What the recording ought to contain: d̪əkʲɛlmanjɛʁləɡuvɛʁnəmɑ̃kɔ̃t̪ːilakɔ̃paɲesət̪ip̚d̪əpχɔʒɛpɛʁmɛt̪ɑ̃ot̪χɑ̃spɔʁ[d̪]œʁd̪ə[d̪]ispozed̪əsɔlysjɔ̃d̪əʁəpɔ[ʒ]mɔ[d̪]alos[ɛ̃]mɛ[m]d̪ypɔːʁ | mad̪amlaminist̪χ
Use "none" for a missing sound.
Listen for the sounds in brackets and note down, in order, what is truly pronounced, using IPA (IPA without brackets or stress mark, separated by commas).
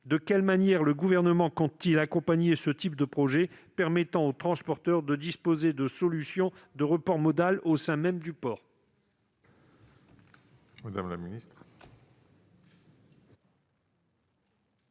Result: t̪, d̪, ʁ, d̪, ɛ̃, m